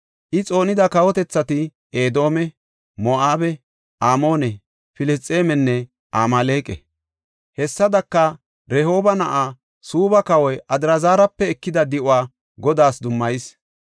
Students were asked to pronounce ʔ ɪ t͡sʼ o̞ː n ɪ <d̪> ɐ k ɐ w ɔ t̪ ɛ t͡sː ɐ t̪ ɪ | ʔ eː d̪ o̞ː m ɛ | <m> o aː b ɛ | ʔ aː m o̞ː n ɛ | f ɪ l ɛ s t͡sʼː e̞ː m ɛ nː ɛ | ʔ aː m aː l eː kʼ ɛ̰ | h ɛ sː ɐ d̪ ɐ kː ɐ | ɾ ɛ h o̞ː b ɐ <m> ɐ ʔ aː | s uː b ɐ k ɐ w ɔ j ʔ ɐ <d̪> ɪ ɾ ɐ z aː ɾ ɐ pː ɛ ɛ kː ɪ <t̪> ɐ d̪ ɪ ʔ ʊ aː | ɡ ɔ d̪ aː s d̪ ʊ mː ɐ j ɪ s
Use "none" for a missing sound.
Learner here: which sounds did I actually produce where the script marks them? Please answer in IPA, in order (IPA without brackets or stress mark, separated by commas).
d̪, m, n, d̪, d̪